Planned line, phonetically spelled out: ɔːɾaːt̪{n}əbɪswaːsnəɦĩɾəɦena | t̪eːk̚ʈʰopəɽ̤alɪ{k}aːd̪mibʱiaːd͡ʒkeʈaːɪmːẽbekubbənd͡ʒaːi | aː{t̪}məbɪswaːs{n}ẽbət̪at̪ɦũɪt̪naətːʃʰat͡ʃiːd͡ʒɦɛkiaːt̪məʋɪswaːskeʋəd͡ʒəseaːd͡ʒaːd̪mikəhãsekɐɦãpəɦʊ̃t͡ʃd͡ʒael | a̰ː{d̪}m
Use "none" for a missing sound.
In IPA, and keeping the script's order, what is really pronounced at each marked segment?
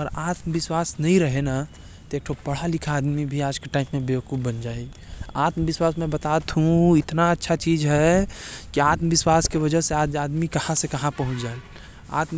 m, kʰ, t̪, m, t̪

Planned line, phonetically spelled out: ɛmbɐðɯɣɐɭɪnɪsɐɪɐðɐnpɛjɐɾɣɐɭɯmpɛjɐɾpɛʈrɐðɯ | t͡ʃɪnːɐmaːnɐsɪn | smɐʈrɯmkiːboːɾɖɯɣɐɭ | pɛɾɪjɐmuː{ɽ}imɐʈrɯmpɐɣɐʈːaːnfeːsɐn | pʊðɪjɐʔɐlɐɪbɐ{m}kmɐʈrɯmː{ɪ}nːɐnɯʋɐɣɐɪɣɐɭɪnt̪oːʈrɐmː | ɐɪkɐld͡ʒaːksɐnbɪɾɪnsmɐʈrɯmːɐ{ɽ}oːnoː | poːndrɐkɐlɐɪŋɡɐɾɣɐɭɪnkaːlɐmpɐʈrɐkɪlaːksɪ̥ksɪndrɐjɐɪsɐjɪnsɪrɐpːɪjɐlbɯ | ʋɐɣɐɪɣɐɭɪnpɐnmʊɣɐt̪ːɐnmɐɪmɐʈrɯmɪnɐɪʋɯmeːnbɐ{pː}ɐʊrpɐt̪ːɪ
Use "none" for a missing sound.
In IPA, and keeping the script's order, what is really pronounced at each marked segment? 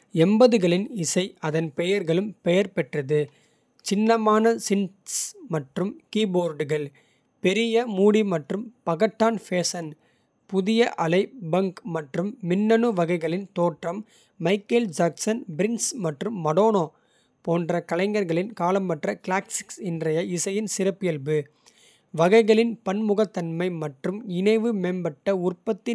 ɽ, ŋ, ɪ, ɽ, ʈː

